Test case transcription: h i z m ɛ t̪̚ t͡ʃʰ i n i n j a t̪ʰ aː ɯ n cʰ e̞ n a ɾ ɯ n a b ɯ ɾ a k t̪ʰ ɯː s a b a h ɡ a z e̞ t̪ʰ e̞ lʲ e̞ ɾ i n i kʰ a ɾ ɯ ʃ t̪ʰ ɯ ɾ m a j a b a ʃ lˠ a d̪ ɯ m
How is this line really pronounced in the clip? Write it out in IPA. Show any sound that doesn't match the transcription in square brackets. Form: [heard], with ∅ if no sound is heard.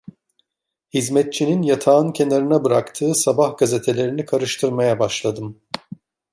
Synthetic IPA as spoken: h i z m ɛ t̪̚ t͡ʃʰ i n i n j a t̪ʰ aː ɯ n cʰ e̞ n a ɾ ɯ n a b ɯ ɾ a k t̪ʰ ɯː s a b a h ɡ a z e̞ t̪ʰ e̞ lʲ e̞ ɾ i n i kʰ a ɾ ɯ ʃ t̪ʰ ɯ ɾ m a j a b a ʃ lˠ a d̪ ɯ m